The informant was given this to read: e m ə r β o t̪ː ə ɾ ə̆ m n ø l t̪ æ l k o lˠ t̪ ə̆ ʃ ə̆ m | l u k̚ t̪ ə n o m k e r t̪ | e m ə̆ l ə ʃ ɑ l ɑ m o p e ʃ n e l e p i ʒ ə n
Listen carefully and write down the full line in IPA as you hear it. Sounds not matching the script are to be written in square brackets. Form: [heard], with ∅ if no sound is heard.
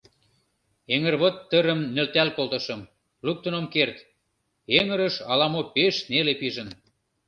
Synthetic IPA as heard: e [ŋ] ə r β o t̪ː ə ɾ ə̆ m n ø l t̪ æ l k o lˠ t̪ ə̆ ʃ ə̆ m | l u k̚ t̪ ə n o m k e r t̪ | e [ŋ] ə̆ [ɾ] ə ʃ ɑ l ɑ m o p e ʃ n e l e p i ʒ ə n